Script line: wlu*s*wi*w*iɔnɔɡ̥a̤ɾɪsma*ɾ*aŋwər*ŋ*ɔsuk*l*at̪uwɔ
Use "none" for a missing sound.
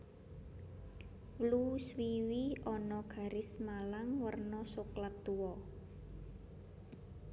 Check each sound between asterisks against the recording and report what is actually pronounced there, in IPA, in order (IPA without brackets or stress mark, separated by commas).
s, w, l, n, l